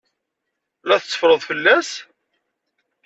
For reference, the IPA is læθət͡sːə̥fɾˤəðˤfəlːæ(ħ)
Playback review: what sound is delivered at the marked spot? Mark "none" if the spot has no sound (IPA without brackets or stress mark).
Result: s